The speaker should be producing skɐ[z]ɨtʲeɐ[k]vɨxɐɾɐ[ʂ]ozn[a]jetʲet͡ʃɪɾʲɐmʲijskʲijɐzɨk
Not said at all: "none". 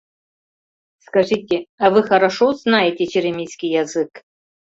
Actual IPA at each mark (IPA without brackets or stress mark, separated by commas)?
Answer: ʐ, none, ʂ, a